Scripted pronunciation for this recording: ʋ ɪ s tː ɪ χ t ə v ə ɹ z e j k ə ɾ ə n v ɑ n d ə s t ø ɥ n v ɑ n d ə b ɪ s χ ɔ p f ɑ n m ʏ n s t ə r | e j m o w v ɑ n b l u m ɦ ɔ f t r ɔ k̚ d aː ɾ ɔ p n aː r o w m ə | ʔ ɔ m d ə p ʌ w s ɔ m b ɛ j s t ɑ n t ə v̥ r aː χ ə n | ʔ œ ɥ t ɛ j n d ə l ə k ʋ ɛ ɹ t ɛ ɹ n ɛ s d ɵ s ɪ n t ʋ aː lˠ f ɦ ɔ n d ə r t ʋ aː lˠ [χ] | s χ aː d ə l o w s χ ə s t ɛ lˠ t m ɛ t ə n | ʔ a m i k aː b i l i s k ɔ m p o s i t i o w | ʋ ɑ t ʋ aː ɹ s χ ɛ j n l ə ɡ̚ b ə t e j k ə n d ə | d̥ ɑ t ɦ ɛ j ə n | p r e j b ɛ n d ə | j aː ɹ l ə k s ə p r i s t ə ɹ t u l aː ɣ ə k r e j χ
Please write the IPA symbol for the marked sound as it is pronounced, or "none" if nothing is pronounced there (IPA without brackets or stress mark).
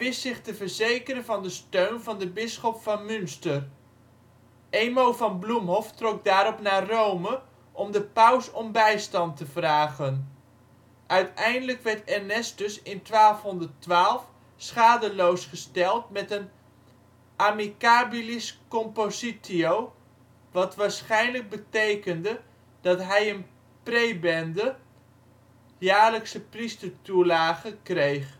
f